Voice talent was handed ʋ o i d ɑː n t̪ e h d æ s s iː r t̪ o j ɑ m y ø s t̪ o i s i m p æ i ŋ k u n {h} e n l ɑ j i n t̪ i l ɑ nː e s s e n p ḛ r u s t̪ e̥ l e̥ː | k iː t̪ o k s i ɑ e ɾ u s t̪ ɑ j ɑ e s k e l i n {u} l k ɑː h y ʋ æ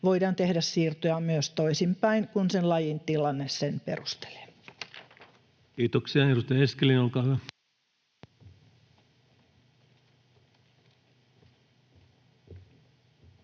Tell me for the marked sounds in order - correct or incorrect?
incorrect: s, incorrect: o

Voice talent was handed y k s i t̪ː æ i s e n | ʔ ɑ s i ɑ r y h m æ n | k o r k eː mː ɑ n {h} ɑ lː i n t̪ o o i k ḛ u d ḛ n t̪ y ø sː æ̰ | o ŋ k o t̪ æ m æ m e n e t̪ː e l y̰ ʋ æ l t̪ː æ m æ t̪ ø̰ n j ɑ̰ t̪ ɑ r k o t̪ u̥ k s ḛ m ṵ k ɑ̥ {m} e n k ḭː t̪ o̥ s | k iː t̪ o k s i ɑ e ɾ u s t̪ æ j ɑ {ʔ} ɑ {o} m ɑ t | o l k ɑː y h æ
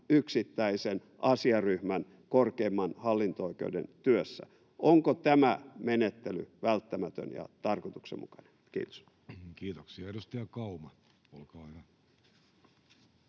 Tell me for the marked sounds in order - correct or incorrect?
correct, incorrect: n, incorrect: k, incorrect: u

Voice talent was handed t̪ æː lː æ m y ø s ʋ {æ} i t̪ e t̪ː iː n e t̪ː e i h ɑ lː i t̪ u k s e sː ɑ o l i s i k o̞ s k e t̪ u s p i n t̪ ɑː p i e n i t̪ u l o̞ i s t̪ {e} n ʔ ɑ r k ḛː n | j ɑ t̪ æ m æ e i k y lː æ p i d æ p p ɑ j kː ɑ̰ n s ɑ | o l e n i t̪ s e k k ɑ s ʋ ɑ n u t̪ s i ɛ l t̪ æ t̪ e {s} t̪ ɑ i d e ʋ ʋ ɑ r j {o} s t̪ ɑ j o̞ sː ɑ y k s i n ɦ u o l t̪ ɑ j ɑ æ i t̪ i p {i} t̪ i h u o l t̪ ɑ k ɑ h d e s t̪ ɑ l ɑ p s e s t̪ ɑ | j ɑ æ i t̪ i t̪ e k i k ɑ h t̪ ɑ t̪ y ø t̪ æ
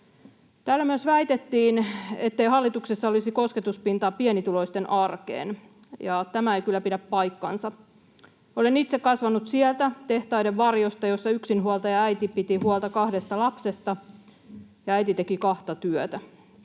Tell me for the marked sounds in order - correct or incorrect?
correct, correct, incorrect: h, correct, correct

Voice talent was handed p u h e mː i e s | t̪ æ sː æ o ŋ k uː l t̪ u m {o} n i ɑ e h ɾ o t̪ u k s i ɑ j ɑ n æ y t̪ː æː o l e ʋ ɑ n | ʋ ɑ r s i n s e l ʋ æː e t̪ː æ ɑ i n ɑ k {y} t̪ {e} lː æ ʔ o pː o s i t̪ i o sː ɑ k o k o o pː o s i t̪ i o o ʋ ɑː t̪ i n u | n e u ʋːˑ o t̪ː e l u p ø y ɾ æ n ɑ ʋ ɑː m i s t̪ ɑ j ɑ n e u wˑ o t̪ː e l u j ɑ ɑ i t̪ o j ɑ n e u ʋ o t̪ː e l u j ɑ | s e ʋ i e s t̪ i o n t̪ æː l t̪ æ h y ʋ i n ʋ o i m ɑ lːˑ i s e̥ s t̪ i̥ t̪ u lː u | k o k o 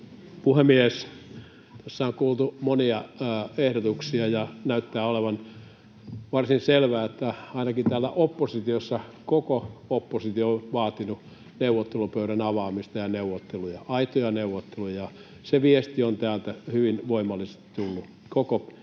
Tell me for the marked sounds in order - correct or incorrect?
correct, incorrect: i, incorrect: æ

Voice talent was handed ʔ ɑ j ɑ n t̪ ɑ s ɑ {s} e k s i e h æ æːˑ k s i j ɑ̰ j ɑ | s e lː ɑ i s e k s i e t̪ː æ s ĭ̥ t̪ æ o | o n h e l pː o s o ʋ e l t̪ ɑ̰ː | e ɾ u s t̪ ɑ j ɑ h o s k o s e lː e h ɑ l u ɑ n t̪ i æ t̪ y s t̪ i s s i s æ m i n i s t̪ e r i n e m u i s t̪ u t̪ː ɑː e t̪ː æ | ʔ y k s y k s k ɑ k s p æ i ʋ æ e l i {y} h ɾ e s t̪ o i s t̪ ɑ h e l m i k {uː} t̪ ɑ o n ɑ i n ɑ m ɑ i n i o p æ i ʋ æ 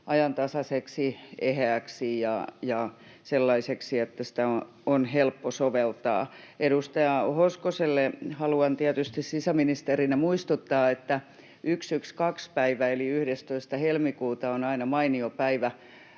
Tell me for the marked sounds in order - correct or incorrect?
correct, correct, correct

